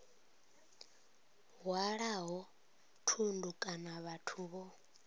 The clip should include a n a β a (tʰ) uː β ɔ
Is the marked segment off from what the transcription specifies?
no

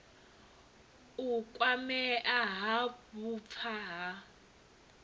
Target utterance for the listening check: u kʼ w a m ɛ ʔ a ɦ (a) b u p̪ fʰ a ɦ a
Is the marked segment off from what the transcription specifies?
no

